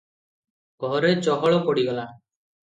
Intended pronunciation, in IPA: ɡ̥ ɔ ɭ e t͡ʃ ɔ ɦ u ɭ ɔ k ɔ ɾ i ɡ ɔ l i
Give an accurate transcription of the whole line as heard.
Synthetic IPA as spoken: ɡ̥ ɔ ɾ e t͡ʃ ɔ ɦ ɔ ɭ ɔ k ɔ ɽ i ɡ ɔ l a